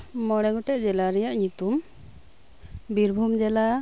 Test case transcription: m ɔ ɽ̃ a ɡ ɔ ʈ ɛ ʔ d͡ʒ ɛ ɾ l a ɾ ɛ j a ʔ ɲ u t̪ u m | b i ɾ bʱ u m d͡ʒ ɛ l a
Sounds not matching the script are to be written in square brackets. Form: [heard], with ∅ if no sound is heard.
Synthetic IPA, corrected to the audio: m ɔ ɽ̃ [ɛ] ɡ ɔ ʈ ɛ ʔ d͡ʒ ɛ [∅] l a ɾ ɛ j a ʔ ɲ u t̪ u m | b i ɾ bʱ u m d͡ʒ ɛ l a